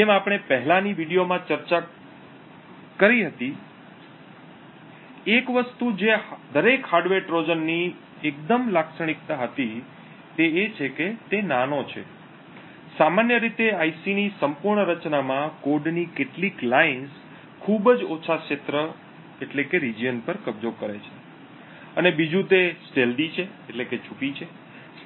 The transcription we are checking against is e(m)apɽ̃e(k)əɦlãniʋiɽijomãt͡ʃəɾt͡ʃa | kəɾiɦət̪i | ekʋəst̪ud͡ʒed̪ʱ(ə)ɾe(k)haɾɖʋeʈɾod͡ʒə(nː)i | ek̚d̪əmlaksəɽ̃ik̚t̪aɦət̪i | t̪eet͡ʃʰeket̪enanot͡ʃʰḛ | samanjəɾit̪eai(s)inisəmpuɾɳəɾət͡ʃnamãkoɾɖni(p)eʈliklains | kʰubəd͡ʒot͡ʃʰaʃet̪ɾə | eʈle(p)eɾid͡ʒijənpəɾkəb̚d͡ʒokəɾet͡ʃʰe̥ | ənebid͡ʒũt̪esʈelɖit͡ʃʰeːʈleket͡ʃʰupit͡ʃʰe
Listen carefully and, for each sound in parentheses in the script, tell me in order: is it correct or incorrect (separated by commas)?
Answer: correct, incorrect, correct, correct, correct, correct, incorrect, incorrect